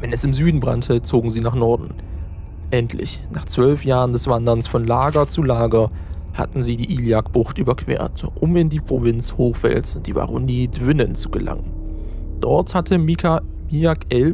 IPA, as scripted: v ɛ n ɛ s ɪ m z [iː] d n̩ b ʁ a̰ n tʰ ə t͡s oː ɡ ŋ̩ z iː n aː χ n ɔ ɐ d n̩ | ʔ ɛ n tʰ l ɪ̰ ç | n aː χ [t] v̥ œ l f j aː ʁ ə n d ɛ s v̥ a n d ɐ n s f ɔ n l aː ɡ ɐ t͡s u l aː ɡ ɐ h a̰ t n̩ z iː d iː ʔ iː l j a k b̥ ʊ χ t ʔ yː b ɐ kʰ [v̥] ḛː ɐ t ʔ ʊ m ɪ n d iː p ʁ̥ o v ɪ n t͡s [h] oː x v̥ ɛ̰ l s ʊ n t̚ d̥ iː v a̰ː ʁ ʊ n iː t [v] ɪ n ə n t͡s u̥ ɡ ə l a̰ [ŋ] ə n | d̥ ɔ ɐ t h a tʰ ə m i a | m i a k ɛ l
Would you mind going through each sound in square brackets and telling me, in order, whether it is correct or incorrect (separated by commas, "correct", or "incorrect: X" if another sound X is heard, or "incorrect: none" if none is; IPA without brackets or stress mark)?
incorrect: yː, incorrect: t͡s, correct, correct, correct, correct